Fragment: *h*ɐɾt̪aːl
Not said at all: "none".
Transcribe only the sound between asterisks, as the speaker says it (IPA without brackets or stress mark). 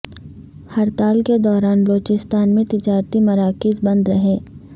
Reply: h